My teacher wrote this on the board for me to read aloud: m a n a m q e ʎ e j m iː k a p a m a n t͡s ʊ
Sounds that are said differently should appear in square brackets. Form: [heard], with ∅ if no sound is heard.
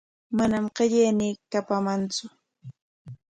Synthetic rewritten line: m a n a m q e ʎ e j [n] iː k a p a m a n t͡s ʊ